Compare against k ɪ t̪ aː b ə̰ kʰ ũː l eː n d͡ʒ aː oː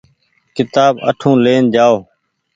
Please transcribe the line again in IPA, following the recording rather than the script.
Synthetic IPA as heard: k ɪ t̪ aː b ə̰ ʈʰ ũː l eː n d͡ʒ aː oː